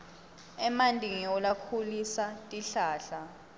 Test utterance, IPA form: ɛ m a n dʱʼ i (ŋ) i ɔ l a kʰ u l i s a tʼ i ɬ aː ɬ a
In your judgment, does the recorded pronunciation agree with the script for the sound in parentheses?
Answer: yes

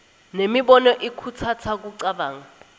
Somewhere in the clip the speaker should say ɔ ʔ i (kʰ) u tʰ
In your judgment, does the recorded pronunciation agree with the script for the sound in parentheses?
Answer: yes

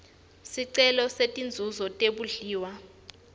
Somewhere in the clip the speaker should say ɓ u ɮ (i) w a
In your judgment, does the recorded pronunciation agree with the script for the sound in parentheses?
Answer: no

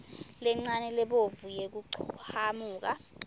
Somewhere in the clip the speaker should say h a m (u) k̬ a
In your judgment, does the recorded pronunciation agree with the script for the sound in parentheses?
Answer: no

